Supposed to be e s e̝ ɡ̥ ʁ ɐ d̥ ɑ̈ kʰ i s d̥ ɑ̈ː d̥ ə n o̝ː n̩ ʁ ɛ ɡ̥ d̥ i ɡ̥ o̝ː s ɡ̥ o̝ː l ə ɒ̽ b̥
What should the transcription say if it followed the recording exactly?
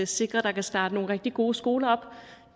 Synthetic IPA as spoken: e s e̝ ɡ̥ ʁ ɐ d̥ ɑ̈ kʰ æ s d̥ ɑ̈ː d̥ ə n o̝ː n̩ ʁ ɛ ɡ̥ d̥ i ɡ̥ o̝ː s ɡ̥ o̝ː l ɐ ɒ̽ b̥